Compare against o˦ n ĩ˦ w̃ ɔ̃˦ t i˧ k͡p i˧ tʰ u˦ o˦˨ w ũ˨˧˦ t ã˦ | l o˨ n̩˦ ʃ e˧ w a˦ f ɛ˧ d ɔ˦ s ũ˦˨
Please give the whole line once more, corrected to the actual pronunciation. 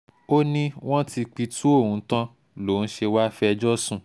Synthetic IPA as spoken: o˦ n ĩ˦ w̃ ɔ̃˦ t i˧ k͡p i˧ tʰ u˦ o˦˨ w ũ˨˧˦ t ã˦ | l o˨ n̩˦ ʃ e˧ w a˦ f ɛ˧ d͡ʒ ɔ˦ s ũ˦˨

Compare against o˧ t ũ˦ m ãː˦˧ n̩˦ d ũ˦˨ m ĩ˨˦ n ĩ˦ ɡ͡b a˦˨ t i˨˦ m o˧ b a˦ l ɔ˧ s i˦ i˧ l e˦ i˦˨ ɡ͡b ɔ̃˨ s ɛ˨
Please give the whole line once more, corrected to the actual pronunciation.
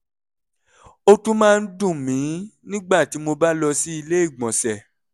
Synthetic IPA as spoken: o˧ t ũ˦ m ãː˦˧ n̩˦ d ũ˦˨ m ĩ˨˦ n ĩ˦ ɡ͡b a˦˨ t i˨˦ m o˧ b a˦ l ɔ˧ s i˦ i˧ l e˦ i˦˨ ɡ͡b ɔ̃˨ s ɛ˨

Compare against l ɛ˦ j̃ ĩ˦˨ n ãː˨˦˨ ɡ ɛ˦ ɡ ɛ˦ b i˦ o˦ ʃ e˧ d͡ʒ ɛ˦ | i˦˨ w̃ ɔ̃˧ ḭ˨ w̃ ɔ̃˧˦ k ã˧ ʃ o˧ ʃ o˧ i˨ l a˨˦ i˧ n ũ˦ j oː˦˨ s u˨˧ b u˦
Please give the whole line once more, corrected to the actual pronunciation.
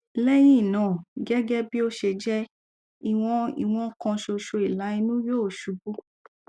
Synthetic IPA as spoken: l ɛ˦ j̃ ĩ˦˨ n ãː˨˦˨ ɡ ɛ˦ ɡ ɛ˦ b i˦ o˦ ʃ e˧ d͡ʒ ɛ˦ | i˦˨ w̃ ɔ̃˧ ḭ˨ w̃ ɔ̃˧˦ k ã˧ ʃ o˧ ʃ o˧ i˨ l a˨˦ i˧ n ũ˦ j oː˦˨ ʃ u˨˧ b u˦

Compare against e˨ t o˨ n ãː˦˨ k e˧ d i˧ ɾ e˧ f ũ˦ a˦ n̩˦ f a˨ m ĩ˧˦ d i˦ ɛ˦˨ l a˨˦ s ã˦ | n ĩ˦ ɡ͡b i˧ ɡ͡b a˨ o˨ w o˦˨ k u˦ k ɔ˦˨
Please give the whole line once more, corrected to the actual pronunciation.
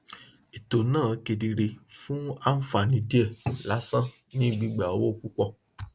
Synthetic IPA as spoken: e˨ t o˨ n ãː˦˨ k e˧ d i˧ ɾ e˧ f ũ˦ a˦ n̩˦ f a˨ n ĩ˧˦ d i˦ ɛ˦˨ l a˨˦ s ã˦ | n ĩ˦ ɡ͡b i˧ ɡ͡b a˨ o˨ w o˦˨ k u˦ k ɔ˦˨

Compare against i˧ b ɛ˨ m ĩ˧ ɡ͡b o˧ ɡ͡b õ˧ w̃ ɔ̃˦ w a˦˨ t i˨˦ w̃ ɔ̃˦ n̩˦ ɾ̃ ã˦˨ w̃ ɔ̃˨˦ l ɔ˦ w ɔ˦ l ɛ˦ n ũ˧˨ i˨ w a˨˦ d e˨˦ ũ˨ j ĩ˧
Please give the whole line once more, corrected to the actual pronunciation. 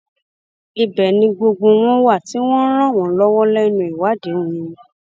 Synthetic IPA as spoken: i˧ b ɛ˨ n ĩ˧ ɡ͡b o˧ ɡ͡b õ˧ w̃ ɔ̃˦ w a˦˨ t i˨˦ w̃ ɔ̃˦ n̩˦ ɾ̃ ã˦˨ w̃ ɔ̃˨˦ l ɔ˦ w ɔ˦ l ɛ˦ n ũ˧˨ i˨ w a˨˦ d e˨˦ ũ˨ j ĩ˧

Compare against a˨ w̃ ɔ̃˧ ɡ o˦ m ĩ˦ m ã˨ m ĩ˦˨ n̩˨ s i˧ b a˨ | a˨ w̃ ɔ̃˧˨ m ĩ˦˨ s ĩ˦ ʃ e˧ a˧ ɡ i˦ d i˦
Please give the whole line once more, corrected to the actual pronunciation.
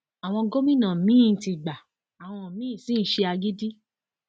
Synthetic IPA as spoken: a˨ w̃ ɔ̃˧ ɡ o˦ m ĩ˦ n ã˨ m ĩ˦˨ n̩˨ t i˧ ɡ͡b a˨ | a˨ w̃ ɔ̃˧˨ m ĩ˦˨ s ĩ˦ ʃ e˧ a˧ ɡ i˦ d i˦

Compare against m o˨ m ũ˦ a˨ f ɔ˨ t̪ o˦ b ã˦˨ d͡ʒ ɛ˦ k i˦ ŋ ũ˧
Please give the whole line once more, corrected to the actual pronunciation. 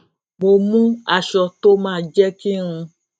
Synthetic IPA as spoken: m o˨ m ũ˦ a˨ ʃ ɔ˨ t̪ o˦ m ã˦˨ d͡ʒ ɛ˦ k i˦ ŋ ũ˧

